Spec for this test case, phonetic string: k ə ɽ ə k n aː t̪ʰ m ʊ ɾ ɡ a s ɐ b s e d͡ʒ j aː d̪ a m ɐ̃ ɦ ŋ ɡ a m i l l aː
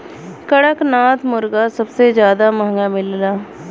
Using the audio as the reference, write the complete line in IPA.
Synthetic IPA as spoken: k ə ɽ ə k n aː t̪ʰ m ʊ ɾ ɡ a s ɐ b s e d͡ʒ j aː d̪ a m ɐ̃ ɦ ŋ ɡ a m ɪ l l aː